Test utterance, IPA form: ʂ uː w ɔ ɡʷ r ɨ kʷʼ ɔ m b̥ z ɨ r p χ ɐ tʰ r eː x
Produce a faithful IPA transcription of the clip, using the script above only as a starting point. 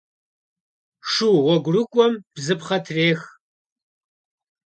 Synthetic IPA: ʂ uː w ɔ ɡʷ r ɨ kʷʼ ɔ m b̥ z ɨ p χ ɐ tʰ r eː x